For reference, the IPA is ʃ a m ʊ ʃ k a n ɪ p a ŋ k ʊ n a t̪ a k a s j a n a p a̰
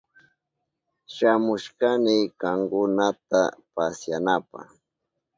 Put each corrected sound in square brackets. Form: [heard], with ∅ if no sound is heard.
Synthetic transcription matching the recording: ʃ a m ʊ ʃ k a n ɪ [k] a ŋ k ʊ n a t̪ a [p] a s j a n a p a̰